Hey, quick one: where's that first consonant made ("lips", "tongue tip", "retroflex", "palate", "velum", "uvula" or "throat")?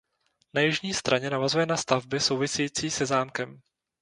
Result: tongue tip